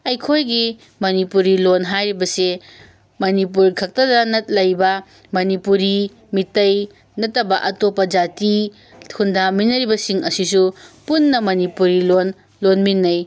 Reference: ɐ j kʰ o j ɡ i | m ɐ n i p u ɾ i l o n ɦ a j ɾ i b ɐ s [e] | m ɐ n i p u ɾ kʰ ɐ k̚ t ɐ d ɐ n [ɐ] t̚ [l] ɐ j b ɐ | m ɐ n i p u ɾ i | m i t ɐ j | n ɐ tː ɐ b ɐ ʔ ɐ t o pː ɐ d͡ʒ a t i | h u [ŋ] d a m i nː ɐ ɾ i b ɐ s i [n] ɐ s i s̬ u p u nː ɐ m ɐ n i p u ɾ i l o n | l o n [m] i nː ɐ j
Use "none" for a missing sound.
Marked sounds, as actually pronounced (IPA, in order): e, ɐ, l, n, ŋ, m

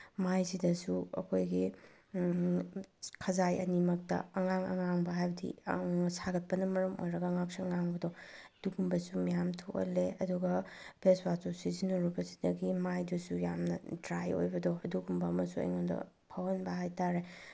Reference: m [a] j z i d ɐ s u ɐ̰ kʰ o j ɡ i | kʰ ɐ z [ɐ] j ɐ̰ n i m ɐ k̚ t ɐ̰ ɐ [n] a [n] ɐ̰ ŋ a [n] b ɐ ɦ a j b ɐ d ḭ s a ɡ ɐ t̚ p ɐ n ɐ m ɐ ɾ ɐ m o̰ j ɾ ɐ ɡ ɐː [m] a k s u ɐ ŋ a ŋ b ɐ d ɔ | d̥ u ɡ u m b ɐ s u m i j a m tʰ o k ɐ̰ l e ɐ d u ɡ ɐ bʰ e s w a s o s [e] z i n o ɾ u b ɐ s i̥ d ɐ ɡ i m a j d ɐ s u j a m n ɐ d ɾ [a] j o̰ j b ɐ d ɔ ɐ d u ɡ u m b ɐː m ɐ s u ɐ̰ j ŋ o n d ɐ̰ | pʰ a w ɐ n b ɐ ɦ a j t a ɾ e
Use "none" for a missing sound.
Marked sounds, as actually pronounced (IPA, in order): a, a, ŋ, ŋ, ŋ, ŋ, i, a

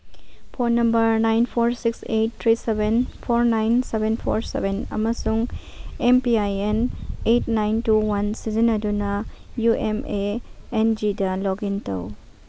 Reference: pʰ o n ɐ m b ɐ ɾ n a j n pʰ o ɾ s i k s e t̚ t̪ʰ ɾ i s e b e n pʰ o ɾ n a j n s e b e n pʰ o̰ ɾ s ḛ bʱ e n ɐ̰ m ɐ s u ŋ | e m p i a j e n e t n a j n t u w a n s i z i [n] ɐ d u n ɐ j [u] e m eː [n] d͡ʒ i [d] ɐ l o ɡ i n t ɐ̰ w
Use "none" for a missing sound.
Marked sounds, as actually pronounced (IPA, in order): n, u, n, d

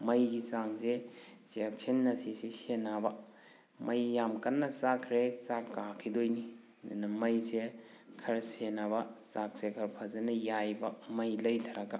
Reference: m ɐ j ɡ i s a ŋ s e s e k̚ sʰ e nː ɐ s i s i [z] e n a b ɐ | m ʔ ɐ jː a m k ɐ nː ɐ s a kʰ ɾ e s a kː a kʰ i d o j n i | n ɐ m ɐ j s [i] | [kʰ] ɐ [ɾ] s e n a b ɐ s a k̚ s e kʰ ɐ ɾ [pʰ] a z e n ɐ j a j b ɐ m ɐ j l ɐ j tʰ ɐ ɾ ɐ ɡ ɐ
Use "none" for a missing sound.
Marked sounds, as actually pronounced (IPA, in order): s, e, kʰ, ɾ, pʰ

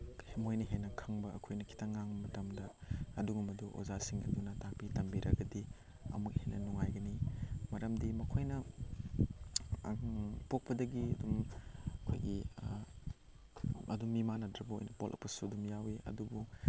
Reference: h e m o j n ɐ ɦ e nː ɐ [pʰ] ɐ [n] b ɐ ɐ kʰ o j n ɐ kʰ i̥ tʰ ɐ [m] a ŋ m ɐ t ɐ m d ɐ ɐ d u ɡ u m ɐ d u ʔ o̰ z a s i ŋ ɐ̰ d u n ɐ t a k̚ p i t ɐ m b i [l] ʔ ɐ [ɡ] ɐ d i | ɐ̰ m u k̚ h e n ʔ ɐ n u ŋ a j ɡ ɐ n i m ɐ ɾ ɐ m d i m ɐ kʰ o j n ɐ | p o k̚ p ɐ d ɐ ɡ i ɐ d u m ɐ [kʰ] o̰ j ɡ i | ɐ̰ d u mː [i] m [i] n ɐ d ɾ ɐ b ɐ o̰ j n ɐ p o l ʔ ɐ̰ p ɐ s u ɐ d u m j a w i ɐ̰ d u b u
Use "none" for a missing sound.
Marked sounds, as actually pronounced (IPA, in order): kʰ, ŋ, ŋ, ɾ, ɡ, kʰ, i, a

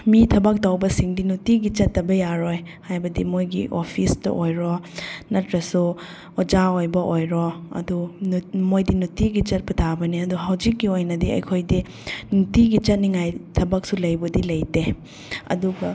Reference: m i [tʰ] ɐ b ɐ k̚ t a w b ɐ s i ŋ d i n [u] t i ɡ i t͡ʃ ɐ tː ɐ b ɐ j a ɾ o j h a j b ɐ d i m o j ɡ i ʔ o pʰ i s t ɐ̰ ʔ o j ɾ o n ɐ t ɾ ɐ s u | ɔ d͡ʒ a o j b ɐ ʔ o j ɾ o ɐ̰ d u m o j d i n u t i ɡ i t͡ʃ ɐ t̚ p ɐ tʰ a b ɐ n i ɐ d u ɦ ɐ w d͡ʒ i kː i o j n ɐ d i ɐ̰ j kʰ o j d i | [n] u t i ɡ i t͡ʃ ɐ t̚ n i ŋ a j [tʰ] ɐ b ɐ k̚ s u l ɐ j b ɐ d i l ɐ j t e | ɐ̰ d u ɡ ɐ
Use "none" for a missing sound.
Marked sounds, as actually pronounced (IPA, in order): tʰ, u, n, tʰ

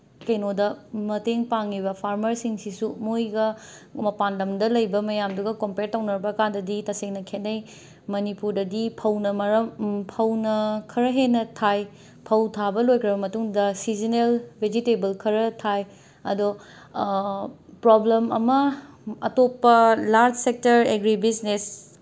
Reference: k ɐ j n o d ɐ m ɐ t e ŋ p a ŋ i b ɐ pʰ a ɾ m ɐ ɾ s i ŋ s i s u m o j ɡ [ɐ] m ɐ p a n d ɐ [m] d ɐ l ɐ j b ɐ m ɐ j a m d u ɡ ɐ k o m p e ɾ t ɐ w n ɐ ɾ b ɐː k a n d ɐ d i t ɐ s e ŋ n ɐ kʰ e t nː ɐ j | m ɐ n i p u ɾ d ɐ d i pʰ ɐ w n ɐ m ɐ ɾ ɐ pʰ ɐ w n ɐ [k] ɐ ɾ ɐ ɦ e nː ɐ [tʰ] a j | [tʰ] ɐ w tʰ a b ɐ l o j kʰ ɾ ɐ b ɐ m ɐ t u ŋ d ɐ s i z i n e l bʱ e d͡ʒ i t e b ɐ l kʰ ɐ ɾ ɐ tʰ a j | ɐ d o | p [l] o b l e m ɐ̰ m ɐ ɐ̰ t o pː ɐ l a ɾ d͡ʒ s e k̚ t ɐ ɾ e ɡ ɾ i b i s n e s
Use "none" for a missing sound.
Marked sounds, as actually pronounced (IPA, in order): ɐ, m, kʰ, tʰ, pʰ, ɾ

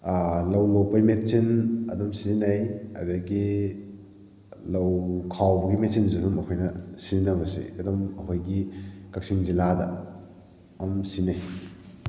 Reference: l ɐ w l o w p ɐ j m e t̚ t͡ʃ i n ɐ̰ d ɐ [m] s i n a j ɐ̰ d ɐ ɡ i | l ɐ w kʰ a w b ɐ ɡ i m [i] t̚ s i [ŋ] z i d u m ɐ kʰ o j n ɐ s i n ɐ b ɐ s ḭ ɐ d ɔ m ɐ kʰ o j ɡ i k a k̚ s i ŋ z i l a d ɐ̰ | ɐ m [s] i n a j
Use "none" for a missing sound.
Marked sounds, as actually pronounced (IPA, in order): m, e, n, s

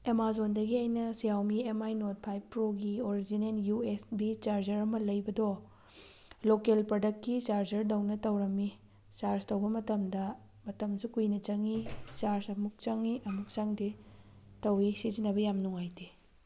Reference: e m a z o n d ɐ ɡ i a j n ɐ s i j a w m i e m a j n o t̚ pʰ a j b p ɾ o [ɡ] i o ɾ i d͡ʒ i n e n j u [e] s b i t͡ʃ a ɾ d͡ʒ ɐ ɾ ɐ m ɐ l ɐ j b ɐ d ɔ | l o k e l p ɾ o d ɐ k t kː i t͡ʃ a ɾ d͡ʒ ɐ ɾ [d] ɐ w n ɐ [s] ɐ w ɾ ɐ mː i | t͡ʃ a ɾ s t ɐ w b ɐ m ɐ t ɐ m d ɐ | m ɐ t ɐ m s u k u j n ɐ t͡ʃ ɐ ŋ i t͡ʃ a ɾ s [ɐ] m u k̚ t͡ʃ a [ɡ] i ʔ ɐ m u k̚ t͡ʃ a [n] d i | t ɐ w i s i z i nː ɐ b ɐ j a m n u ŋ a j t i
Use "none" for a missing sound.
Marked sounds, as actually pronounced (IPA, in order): ɡ, e, d, t, ɐ, ŋ, ŋ

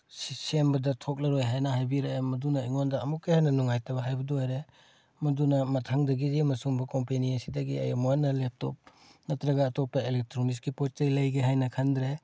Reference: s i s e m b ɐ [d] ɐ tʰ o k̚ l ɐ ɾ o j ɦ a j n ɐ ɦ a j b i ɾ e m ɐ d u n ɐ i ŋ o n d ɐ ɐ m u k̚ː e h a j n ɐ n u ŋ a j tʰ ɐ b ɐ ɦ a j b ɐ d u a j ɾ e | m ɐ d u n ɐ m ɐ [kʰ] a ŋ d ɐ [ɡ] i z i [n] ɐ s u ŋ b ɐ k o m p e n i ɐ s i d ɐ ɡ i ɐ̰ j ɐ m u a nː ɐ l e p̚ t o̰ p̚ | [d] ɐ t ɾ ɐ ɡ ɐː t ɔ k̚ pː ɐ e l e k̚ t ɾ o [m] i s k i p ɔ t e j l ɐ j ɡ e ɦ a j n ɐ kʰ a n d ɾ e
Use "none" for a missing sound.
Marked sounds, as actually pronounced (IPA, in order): d, tʰ, ɡ, m, n, n

